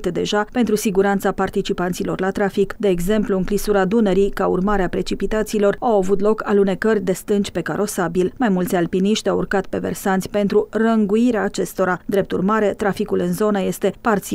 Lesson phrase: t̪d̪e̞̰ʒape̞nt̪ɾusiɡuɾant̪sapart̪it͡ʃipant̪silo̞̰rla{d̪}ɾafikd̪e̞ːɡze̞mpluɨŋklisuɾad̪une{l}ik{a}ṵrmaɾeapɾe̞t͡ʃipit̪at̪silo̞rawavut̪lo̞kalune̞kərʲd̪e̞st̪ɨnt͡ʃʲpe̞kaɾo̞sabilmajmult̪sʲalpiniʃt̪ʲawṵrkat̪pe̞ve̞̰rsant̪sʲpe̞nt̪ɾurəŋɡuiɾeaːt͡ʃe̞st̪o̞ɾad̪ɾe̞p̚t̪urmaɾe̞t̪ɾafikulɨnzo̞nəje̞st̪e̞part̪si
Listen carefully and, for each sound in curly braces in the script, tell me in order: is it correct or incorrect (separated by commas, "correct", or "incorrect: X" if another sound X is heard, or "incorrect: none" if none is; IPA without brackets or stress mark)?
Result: incorrect: t̪, incorrect: ɾ, correct